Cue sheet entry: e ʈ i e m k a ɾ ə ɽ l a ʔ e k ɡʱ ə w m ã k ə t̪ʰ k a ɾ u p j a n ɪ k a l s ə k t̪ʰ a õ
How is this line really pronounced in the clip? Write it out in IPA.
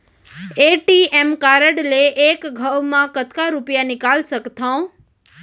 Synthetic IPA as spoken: e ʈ i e m k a ɾ ə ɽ l e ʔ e k ɡʱ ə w m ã k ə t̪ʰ k a ɾ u p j a n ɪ k a l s ə k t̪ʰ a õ